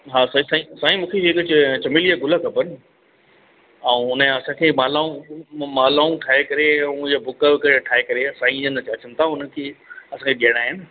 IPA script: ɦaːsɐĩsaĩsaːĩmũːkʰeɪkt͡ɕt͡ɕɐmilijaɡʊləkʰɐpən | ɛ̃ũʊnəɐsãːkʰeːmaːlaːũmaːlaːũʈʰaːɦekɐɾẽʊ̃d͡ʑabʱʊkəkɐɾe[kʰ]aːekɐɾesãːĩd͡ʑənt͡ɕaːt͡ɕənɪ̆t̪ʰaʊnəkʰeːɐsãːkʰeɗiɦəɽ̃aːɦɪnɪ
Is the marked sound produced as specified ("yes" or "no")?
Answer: no